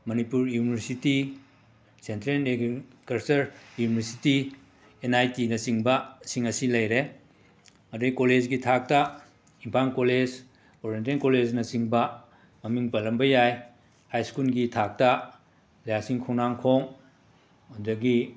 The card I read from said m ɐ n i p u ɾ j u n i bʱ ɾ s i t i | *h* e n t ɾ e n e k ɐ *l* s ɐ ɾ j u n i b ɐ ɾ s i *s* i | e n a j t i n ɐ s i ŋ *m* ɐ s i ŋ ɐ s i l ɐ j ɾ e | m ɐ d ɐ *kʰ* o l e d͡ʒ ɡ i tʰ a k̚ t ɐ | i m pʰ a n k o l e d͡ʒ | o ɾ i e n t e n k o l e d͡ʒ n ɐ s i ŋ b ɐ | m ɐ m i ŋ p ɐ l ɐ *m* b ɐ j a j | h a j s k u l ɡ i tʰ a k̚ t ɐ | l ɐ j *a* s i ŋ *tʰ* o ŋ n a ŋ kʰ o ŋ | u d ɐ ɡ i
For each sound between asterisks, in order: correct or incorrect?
incorrect, incorrect, incorrect, incorrect, incorrect, correct, correct, incorrect

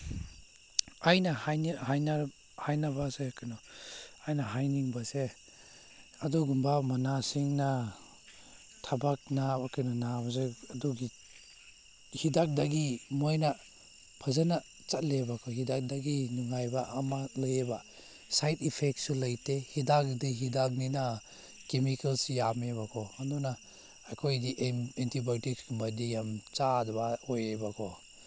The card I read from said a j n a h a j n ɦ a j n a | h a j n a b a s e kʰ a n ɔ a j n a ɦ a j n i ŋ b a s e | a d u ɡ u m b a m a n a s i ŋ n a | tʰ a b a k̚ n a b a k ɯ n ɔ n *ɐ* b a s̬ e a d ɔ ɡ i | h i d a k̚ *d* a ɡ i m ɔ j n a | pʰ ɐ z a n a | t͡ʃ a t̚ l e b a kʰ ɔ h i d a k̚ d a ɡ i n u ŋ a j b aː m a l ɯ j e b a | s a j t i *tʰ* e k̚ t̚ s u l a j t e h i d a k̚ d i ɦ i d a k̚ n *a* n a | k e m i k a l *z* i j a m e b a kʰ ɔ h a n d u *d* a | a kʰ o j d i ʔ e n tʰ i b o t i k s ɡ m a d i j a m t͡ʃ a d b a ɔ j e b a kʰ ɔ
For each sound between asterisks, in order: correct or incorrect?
incorrect, correct, incorrect, incorrect, incorrect, incorrect

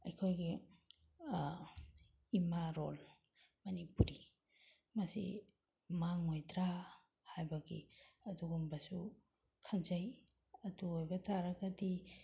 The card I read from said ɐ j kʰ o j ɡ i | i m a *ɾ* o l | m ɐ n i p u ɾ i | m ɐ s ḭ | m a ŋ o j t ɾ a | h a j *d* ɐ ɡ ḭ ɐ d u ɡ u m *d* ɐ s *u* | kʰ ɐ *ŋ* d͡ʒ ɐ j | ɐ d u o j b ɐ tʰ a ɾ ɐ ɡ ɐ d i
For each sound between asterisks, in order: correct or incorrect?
correct, incorrect, incorrect, correct, incorrect

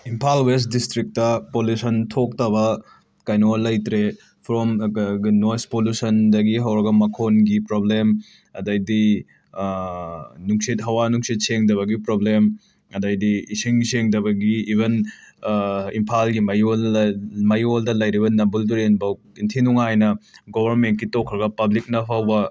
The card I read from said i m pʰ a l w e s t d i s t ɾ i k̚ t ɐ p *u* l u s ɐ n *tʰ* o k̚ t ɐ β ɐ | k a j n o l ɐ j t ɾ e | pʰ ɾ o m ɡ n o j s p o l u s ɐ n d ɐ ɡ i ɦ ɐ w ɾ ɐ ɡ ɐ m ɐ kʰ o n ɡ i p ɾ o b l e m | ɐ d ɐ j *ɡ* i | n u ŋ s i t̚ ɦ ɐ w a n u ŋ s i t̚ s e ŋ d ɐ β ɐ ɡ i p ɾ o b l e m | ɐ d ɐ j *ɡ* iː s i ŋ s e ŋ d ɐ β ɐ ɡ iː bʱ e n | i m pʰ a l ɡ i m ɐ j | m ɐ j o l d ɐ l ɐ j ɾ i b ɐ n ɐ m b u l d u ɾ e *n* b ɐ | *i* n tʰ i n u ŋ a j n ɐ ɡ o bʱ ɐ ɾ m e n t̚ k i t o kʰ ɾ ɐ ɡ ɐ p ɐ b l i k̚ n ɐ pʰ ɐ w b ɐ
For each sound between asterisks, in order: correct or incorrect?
incorrect, correct, incorrect, incorrect, correct, correct

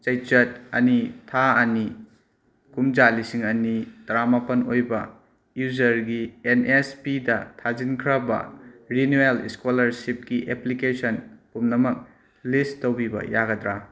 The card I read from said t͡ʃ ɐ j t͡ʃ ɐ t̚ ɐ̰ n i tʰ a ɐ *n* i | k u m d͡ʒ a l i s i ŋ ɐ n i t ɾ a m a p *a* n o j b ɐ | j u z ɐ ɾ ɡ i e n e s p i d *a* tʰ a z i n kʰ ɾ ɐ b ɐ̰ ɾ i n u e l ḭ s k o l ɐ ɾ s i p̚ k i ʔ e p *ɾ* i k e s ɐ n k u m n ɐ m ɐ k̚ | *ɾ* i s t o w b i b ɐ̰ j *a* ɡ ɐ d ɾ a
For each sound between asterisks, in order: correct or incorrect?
correct, incorrect, incorrect, incorrect, incorrect, correct

